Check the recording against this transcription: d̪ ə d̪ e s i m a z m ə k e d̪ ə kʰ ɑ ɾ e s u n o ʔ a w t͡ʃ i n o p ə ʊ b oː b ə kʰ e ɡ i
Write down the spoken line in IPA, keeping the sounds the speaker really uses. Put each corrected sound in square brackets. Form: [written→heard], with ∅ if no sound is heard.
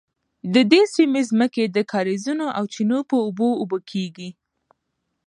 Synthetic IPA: d̪ ə d̪ e s i m [a→e] z m ə k e d̪ ə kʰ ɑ ɾ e [s→z] u n o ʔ a w t͡ʃ i n o p ə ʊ b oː b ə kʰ e ɡ i

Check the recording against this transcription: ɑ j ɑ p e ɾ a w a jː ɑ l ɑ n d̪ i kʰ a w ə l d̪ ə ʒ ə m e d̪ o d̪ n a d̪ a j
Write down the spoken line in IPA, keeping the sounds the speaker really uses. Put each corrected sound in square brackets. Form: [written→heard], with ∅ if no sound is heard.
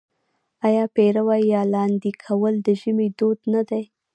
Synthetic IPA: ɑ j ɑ p e ɾ a w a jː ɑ l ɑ n d̪ i kʰ a w ə l d̪ ə ʒ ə m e d̪ o d̪ n a d̪ a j

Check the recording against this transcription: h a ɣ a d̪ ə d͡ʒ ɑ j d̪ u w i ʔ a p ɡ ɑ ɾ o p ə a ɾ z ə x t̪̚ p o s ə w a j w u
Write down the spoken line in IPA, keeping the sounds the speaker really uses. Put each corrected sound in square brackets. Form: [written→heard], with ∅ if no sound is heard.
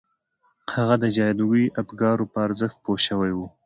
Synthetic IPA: h a ɣ a d̪ ə d͡ʒ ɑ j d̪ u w i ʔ a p ɡ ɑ ɾ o p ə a ɾ z ə x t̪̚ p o [s→ʃ] ə w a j w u

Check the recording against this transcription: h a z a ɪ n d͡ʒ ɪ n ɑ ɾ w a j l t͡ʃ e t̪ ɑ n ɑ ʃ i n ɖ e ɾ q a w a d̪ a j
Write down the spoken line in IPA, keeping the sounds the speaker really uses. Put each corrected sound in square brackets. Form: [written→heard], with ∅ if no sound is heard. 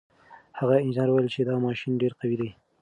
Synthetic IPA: h a [z→ɣ] a ɪ n d͡ʒ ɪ n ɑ ɾ w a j l t͡ʃ e [t̪→d̪] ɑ [n→m] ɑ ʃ i n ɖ e ɾ q a w [a→i] d̪ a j

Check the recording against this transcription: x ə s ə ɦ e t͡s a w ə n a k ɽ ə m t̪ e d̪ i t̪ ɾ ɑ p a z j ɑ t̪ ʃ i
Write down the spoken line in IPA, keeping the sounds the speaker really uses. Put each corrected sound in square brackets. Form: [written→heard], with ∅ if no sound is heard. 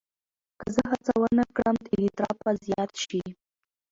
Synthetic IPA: [x→k] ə [s→z] ə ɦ [e→a] t͡s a w ə n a k ɽ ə m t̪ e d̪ i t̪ ɾ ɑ p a z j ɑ t̪ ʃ i

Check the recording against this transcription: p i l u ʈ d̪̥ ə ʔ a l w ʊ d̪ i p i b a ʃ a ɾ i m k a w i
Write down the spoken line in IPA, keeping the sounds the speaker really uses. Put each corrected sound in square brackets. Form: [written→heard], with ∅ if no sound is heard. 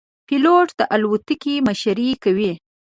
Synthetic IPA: p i l [u→o] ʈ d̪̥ ə ʔ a l w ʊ [d̪→t̪] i [p→k] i [b→m] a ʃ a ɾ i [m→∅] k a w i

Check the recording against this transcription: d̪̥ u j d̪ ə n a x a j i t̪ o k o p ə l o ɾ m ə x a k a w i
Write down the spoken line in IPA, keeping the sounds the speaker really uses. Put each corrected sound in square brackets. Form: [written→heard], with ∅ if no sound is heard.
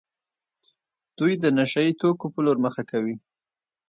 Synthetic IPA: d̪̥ u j d̪ ə n a [x→ʃ] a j i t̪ o k o p ə l o ɾ m ə x a k a w i

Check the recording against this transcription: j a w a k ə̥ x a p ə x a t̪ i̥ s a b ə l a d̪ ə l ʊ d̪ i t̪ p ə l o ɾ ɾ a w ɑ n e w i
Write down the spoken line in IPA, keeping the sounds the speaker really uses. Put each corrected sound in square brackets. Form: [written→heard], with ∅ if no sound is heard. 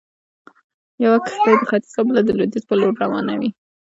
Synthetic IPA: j a w a k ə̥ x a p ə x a t̪ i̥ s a b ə l a d̪ ə l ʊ d̪ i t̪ p ə l o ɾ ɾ a w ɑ n [e→a] w i

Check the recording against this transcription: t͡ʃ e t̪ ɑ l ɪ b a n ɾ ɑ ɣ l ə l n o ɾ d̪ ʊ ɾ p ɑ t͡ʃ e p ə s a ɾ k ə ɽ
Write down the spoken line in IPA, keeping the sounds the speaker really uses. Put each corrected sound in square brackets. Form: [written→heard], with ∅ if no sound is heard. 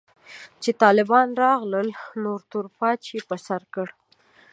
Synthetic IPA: t͡ʃ e t̪ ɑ l ɪ b [a→ɑ] n ɾ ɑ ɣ l ə l n o ɾ [d̪→t̪] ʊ ɾ p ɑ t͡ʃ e p ə s a ɾ k ə ɽ

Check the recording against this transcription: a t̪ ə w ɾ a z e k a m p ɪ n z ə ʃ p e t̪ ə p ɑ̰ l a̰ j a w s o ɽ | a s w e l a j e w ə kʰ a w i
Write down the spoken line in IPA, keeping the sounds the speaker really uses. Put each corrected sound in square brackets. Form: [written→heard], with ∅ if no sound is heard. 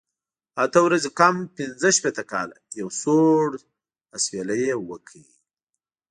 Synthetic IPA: a t̪ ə w ɾ a z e k a m p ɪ n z ə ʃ p e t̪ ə [p→k] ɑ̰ l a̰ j a w s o ɽ | a s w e l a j e w ə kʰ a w i

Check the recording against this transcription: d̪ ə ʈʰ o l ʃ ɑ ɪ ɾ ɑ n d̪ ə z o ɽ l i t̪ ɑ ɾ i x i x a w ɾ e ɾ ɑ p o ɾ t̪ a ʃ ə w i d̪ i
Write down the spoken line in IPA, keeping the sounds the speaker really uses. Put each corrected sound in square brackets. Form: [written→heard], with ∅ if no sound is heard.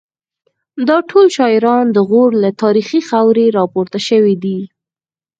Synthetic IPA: d̪ [ə→ɑ] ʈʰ o l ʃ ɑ ɪ ɾ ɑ n d̪ ə [z→ɣ] o ɽ l [i→a] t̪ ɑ ɾ i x i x a w ɾ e ɾ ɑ p o ɾ t̪ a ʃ ə w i d̪ i

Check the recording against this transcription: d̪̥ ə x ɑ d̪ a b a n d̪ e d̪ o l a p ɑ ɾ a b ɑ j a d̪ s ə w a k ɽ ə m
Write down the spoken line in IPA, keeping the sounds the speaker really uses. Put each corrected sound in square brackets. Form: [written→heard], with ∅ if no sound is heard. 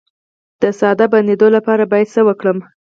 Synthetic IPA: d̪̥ ə [x→s] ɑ d̪ a b a n d̪ e d̪ o l a p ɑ ɾ a b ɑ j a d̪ s ə w [a→ə] k ɽ ə m

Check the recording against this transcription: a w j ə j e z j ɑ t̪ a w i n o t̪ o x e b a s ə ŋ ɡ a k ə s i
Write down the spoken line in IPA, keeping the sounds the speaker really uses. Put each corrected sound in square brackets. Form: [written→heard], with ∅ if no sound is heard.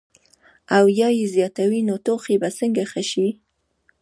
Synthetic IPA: a w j [ə→ɑ] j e z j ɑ t̪ a w i n o t̪ o x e b a s ə ŋ ɡ a [k→x] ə [s→ʃ] i

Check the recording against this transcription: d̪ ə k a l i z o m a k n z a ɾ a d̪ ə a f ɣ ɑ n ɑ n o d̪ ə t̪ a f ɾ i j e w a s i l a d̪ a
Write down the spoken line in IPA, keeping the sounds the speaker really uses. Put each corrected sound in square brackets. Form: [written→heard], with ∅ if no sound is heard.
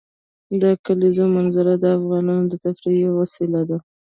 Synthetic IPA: d̪ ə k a l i z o m a [k→∅] n z a ɾ a d̪ ə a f ɣ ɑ n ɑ n o d̪ ə t̪ a f ɾ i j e w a s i l a d̪ a

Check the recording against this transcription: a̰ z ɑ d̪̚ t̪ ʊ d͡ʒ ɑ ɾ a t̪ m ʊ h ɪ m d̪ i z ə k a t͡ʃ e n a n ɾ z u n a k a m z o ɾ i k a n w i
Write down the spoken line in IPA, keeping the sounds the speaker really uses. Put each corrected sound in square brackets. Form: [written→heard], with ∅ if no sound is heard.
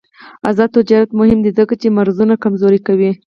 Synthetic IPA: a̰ z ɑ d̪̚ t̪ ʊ d͡ʒ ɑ ɾ a t̪ m ʊ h ɪ m d̪ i z ə k a t͡ʃ e [n→m] a [n→∅] ɾ z u n a k a m z o ɾ i k a [n→∅] w i

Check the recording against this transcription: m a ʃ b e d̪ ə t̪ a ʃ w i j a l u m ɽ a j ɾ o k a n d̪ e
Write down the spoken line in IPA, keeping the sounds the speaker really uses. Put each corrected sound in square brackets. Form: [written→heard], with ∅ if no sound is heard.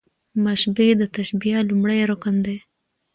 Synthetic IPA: m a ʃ b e d̪ ə t̪ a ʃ [w→b] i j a l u m ɽ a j ɾ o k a n d̪ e

